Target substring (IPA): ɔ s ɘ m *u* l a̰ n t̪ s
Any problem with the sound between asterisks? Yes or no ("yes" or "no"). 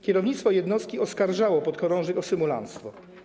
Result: no